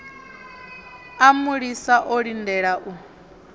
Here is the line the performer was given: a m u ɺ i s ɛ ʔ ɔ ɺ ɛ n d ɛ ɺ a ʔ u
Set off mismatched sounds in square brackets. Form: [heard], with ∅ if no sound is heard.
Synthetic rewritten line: a m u ɺ i s [a] ʔ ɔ ɺ [i] n d ɛ ɺ a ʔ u